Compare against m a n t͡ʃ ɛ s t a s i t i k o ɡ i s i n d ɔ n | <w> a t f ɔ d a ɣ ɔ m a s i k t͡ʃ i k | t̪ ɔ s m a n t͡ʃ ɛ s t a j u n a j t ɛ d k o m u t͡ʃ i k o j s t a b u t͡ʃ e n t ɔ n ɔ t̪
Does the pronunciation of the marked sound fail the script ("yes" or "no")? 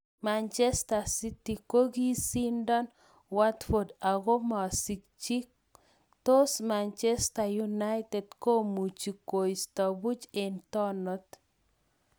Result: no